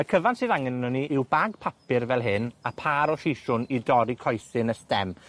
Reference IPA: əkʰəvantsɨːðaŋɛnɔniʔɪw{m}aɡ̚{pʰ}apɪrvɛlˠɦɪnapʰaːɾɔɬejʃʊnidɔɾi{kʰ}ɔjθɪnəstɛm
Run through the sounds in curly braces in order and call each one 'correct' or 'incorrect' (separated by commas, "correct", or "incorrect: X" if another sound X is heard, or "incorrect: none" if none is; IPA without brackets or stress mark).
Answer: incorrect: b, correct, correct